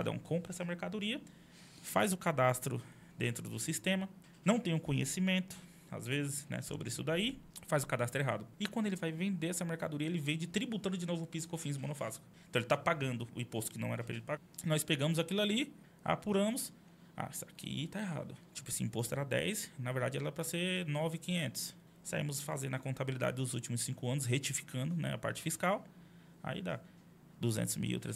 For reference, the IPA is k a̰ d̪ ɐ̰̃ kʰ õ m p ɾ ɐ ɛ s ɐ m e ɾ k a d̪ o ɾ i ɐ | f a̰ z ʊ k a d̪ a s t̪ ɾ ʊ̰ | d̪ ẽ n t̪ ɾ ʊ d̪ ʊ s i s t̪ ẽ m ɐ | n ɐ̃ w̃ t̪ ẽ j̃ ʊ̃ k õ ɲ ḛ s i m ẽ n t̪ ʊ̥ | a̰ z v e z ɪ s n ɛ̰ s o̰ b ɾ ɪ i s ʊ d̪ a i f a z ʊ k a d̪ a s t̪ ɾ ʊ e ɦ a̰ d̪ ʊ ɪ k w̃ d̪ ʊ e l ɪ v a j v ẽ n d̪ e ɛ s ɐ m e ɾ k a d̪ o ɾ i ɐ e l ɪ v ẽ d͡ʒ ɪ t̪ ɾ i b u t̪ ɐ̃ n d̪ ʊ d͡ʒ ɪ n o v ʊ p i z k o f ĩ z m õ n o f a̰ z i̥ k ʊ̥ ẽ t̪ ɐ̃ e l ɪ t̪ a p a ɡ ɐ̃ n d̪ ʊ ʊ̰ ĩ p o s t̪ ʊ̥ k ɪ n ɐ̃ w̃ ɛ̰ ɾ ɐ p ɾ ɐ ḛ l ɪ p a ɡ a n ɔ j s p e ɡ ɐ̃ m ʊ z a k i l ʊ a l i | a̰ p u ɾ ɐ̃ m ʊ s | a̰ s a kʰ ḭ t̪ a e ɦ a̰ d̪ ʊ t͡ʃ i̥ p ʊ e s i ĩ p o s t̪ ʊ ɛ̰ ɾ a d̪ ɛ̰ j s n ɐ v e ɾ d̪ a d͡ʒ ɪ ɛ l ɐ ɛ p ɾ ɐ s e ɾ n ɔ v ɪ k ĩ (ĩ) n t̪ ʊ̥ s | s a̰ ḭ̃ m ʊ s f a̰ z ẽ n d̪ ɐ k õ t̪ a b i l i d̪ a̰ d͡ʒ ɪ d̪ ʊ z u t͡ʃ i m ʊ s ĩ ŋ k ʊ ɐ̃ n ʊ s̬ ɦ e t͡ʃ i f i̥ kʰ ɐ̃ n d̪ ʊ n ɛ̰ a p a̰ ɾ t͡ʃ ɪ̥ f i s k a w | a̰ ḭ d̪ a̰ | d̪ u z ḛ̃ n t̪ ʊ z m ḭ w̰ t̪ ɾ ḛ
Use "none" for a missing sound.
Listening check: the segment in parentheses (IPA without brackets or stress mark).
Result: ẽ